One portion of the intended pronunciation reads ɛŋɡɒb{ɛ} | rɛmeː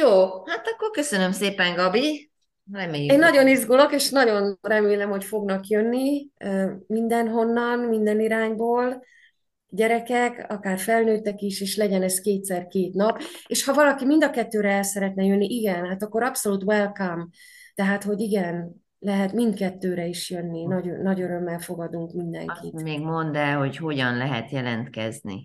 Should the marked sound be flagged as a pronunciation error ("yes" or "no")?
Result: yes